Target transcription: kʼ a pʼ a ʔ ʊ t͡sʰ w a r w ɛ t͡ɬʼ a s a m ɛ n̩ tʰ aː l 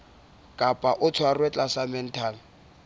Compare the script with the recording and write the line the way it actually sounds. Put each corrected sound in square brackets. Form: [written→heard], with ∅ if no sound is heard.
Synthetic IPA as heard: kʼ a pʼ a ʔ ʊ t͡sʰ w a r w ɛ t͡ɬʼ a s a m ɛ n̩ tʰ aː l